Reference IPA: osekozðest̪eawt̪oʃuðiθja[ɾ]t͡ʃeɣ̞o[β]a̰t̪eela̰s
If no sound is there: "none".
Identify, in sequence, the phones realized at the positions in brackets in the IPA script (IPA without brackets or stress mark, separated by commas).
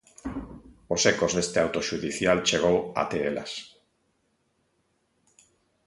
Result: l, w